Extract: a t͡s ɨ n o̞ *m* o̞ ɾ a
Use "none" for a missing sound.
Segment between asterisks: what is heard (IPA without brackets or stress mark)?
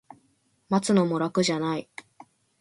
m